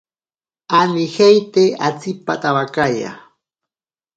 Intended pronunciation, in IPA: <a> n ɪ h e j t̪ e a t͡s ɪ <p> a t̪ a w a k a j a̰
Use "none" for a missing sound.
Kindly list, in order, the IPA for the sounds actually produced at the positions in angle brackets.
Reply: a, p

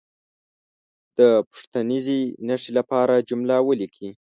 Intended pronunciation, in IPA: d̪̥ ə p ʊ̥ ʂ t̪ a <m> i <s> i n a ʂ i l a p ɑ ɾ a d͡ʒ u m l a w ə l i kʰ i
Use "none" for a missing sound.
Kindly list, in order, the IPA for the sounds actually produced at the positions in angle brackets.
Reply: n, z

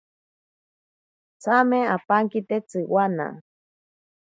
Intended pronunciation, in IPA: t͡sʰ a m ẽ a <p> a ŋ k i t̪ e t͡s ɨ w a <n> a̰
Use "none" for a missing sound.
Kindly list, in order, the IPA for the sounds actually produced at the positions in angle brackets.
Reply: p, n

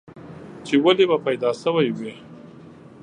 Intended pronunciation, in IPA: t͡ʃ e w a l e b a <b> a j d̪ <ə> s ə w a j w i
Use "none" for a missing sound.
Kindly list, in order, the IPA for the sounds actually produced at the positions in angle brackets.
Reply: p, ɑ

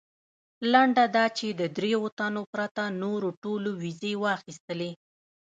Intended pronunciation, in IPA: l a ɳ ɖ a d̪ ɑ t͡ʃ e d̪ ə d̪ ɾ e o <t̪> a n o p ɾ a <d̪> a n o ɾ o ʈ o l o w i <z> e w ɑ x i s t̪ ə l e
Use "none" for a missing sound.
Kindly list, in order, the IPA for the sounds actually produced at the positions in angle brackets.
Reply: t̪, t̪, z

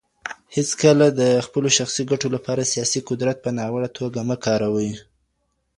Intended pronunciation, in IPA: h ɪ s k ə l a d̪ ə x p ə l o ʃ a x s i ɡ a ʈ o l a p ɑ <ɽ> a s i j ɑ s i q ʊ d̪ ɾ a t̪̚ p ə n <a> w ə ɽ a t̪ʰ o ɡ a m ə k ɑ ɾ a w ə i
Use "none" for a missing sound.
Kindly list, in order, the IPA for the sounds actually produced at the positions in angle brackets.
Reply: ɾ, ɑ

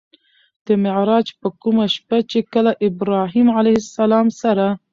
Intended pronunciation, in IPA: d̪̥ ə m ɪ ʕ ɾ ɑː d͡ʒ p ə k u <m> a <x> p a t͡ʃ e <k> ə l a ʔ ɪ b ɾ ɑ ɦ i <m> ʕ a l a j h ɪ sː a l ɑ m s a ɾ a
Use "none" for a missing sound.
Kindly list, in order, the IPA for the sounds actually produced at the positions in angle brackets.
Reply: m, ʃ, k, m

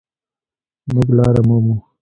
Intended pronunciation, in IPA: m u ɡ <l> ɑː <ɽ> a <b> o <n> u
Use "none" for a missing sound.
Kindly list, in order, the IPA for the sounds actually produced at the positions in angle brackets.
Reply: l, ɾ, m, m

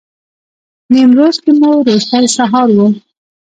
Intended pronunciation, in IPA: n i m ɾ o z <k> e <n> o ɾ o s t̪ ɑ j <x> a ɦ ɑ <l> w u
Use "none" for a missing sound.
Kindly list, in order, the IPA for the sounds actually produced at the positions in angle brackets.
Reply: k, m, s, ɾ

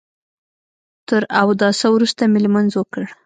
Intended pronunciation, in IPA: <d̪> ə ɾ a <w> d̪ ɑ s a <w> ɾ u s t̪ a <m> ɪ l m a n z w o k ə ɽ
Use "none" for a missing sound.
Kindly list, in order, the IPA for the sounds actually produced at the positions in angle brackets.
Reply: t̪, w, w, m

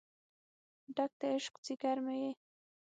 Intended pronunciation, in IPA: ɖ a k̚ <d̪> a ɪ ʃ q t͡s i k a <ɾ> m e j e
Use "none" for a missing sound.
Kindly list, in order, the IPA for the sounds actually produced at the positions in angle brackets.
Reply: t̪, ɾ

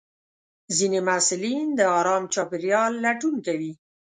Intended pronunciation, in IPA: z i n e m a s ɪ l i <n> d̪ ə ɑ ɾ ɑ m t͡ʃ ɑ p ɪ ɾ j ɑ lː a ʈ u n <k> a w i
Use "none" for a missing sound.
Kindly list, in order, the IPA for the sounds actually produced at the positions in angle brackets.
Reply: n, k

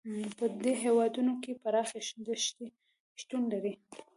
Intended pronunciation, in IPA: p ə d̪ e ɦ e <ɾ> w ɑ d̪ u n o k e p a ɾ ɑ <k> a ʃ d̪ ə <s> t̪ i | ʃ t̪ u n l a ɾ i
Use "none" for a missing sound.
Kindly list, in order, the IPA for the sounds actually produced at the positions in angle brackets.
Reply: none, x, ʃ

